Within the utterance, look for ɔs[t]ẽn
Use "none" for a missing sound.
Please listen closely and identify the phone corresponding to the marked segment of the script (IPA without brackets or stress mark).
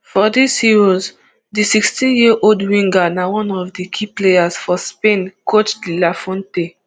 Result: p